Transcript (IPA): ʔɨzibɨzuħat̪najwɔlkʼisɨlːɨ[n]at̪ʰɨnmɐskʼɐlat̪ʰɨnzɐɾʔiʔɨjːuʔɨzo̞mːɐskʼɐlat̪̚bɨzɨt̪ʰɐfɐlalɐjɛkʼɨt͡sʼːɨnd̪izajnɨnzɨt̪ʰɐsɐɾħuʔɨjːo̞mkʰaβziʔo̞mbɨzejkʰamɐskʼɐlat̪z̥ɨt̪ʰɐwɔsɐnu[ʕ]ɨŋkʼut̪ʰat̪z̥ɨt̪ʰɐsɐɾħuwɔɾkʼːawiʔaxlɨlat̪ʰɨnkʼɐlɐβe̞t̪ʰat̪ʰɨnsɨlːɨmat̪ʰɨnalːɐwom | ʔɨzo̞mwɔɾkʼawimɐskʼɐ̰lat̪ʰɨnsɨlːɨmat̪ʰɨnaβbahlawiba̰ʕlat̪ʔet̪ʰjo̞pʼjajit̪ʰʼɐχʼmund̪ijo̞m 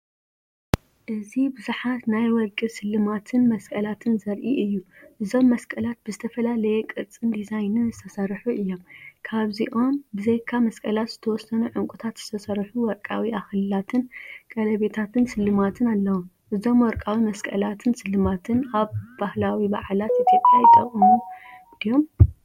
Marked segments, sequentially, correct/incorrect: incorrect: m, correct

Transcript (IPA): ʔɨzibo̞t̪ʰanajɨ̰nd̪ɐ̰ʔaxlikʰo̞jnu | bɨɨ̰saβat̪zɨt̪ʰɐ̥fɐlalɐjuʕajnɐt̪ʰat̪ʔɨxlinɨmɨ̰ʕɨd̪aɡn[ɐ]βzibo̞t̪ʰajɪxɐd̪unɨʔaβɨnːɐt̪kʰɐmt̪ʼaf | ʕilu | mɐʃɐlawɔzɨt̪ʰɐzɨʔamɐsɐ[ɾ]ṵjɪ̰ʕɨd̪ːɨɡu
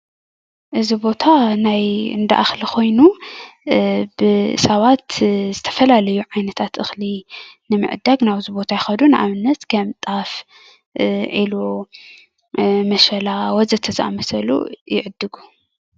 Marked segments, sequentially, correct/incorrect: incorrect: a, incorrect: l

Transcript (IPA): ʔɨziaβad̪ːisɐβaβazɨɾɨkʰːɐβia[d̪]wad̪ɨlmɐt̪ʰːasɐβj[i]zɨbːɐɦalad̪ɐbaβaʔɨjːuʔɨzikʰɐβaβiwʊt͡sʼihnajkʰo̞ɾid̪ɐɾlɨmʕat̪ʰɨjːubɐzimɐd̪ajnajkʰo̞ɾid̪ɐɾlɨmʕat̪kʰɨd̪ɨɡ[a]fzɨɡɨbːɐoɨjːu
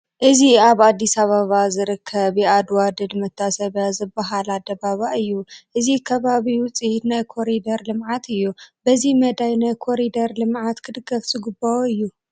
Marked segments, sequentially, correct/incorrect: correct, incorrect: a, incorrect: ɐ

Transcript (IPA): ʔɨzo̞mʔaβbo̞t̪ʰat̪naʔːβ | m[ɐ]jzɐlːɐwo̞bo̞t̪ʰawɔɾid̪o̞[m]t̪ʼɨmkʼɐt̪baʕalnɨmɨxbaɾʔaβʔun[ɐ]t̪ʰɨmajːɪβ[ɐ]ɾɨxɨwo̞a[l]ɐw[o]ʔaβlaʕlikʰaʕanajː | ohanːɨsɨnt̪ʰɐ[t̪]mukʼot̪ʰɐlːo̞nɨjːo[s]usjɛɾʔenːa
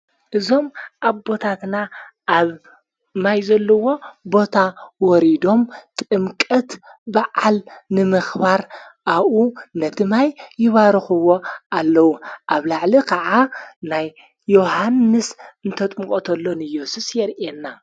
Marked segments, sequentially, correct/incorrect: incorrect: a, correct, correct, incorrect: a, incorrect: lː, incorrect: u, incorrect: t̪ʼ, correct

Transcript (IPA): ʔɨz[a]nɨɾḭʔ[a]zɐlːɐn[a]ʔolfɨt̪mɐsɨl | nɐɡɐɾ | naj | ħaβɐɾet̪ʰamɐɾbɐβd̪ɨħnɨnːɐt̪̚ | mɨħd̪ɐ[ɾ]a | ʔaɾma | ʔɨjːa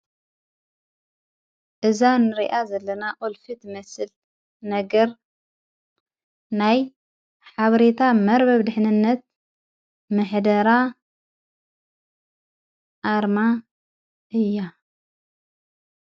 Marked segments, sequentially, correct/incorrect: correct, correct, correct, correct

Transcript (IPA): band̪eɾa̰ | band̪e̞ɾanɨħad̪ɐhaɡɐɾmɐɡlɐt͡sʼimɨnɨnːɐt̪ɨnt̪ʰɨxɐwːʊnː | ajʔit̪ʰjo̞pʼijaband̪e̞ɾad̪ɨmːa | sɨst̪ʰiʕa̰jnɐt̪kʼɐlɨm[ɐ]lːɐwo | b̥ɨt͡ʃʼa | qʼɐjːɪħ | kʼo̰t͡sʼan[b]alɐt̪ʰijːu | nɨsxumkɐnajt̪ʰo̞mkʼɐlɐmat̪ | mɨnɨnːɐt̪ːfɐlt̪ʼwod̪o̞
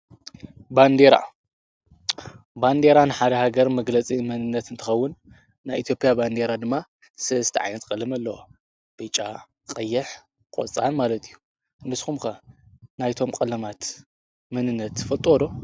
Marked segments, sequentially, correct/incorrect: correct, incorrect: m

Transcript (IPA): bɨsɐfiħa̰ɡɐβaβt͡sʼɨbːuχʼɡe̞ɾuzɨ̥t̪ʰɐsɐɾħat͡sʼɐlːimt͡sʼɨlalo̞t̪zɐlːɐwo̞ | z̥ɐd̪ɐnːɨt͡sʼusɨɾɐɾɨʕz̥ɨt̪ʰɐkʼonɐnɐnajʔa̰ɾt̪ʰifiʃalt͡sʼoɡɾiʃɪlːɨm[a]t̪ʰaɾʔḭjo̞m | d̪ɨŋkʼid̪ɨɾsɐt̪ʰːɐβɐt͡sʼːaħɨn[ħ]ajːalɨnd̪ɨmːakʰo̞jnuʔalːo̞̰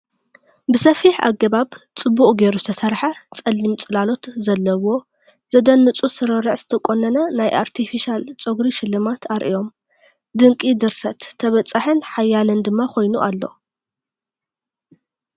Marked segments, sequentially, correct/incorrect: correct, correct

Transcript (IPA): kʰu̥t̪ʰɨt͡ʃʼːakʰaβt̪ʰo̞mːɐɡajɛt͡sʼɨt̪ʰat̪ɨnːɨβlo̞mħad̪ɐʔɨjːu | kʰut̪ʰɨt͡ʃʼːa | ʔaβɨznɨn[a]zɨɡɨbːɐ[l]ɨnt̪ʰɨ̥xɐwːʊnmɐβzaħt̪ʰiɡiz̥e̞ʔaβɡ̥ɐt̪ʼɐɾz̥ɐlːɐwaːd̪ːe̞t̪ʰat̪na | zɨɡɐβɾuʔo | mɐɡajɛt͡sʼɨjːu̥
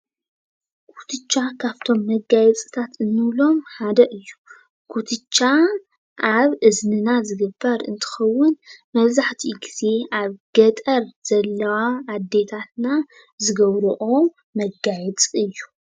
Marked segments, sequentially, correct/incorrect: correct, incorrect: ɾ

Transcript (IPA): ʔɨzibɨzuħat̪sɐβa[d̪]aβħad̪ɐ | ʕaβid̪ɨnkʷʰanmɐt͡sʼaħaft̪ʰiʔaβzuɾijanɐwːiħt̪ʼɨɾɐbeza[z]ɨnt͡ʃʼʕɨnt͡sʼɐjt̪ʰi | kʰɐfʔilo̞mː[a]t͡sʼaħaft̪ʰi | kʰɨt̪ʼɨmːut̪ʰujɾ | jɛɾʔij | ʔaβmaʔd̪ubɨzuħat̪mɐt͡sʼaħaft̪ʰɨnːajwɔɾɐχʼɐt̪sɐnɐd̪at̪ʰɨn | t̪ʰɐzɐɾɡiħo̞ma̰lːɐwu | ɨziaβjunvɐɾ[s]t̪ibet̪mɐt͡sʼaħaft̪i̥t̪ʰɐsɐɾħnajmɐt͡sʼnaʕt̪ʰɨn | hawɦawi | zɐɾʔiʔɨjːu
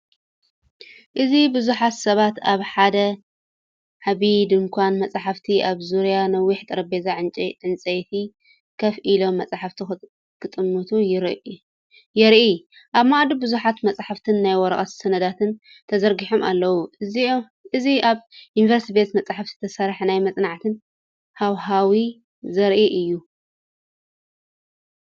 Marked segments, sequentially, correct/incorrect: incorrect: t̪, incorrect: ʕ, incorrect: ɐ, correct

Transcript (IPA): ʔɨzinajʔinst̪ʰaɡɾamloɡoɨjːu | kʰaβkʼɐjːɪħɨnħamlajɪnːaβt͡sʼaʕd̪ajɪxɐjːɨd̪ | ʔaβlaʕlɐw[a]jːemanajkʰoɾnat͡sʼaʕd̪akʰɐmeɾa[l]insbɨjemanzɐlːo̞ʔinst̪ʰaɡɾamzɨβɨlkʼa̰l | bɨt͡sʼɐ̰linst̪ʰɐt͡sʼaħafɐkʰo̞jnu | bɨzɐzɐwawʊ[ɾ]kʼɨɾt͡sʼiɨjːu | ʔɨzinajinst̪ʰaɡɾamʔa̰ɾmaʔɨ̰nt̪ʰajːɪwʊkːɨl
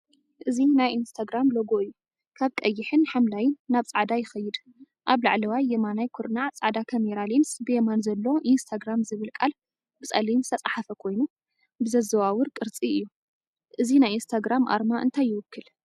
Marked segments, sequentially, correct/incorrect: correct, correct, correct

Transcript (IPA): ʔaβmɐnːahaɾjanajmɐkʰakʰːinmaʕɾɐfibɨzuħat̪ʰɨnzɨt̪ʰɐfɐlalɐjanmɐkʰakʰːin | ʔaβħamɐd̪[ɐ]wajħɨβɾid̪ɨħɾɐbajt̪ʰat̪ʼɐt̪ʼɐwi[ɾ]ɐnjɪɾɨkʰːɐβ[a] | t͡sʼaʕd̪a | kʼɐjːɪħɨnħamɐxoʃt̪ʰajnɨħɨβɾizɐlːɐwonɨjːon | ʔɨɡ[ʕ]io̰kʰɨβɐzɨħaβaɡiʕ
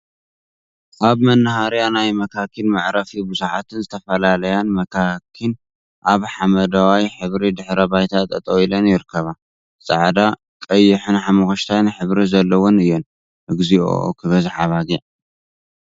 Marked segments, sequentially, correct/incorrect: incorrect: a, incorrect: l, correct, incorrect: z

